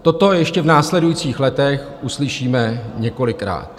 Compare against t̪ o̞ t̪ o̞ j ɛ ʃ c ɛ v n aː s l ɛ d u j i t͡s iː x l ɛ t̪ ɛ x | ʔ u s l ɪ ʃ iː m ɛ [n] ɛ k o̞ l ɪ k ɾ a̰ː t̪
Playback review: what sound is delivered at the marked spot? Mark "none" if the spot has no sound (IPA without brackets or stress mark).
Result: ɲ